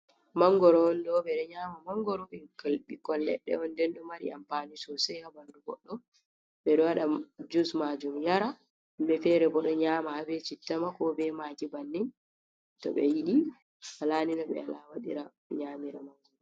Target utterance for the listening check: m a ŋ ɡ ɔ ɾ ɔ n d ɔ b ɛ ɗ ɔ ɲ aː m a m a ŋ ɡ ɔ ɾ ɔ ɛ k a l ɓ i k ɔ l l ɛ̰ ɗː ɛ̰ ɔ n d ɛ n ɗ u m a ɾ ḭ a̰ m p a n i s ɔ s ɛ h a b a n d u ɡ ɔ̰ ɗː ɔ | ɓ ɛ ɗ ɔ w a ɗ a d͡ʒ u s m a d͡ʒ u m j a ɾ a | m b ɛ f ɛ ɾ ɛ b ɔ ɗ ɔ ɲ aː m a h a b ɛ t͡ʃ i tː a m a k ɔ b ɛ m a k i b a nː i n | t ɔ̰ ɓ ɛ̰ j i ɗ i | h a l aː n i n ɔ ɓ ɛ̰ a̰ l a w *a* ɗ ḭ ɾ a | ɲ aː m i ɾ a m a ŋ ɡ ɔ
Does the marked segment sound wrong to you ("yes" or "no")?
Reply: no